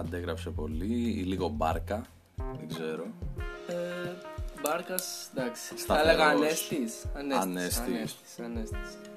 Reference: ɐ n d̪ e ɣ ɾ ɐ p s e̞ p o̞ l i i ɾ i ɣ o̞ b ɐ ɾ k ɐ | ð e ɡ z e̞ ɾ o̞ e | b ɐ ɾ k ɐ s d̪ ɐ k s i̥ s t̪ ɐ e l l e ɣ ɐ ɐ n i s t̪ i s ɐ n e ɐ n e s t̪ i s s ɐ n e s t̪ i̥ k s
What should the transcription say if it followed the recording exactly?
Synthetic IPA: ɐ n d̪ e ɣ ɾ ɐ p s e̞ p o̞ l i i l i ɣ o̞ b ɐ ɾ k ɐ | ð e ɡ z e̞ ɾ o̞ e | b ɐ ɾ k ɐ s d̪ ɐ k s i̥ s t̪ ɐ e l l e ɣ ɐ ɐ n e s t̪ i s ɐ n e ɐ n e s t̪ i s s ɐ n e s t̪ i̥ s